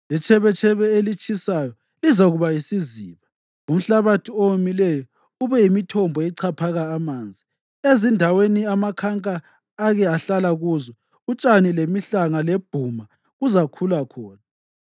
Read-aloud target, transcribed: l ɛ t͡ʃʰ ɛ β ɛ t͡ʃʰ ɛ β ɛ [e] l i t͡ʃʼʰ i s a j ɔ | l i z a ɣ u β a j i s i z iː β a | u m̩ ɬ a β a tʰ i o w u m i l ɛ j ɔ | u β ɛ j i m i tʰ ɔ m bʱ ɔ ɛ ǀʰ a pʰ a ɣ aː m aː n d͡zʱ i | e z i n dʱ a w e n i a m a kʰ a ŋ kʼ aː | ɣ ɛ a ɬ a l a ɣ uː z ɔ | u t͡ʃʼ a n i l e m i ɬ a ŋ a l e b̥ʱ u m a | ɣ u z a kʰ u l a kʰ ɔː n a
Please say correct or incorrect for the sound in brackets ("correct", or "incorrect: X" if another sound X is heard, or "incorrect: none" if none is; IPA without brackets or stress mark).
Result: correct